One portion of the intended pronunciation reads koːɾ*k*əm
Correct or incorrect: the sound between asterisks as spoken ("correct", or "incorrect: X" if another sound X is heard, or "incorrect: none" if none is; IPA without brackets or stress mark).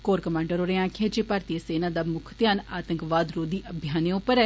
correct